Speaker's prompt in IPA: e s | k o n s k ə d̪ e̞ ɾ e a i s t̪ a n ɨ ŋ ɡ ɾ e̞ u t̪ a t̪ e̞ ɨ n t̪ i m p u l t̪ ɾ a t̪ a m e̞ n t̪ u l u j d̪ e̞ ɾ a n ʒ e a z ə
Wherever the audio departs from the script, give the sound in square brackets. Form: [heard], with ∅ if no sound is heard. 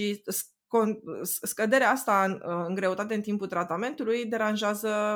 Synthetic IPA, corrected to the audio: [i] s | k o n s k ə d̪ e̞ ɾ e a [a] s t̪ a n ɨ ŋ ɡ ɾ e̞ u t̪ a t̪ e̞ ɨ n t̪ i m p u l t̪ ɾ a t̪ a m e̞ n t̪ u l u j d̪ e̞ ɾ a n ʒ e a z ə